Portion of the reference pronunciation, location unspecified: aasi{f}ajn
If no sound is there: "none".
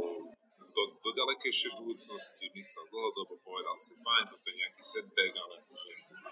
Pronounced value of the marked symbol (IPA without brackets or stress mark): f